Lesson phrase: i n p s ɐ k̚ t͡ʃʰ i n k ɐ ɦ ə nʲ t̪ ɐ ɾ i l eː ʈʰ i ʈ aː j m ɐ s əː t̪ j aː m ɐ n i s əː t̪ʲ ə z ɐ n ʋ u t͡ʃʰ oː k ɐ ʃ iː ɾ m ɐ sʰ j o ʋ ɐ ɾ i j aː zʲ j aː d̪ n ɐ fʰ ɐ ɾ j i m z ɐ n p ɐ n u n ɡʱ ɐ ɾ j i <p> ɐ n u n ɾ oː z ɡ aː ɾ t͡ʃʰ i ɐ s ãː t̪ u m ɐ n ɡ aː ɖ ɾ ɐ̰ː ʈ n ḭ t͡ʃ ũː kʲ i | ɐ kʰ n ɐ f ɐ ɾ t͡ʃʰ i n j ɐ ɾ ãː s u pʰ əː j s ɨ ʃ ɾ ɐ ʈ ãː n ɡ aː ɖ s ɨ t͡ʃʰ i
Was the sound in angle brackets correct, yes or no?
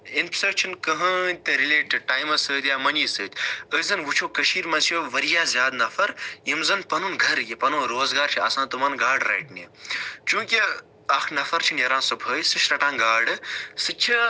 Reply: yes